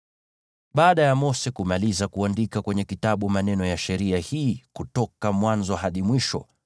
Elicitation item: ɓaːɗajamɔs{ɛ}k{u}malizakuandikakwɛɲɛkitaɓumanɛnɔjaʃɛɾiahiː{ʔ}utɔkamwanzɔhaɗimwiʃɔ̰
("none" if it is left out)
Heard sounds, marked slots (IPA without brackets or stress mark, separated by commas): ɛ, u, k